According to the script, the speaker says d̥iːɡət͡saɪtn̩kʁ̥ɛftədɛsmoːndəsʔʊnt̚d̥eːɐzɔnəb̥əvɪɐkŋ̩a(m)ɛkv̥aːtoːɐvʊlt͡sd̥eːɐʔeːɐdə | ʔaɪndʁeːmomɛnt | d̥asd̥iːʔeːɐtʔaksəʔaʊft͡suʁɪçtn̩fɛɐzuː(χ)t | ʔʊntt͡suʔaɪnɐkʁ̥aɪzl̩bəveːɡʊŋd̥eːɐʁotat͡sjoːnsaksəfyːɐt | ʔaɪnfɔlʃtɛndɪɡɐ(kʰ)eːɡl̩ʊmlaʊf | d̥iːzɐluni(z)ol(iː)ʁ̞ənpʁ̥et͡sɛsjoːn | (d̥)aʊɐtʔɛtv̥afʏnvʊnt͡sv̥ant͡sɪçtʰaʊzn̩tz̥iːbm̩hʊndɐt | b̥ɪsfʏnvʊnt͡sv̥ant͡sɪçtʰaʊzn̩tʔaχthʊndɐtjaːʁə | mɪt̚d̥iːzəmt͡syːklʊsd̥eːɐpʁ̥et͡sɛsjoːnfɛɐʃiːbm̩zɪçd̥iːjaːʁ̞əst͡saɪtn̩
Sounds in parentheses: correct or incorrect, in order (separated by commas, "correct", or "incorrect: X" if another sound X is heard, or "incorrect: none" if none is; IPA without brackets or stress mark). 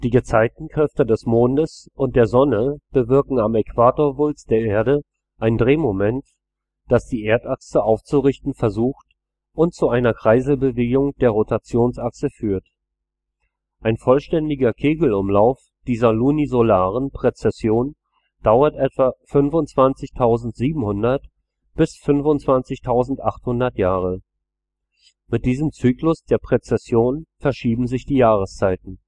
correct, incorrect: x, correct, correct, incorrect: aː, correct